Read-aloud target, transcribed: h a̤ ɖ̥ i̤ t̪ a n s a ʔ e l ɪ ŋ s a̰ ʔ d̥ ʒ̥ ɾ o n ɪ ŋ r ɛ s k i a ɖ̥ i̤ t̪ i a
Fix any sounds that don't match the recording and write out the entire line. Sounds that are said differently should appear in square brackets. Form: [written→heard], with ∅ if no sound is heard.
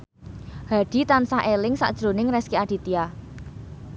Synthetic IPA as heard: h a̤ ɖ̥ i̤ t̪ a n s a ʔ e l ɪ ŋ s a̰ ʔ d̥ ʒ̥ ɾ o n ɪ ŋ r ɛ s k i a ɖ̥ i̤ t̪ i a